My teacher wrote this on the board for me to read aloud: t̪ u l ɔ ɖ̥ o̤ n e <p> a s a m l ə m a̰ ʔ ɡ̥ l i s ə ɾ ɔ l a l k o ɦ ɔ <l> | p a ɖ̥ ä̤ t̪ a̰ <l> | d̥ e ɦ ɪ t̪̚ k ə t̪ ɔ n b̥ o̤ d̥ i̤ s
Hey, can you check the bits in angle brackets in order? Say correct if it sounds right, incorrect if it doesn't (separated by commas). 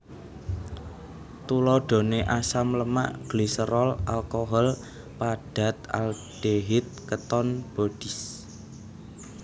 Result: incorrect, correct, correct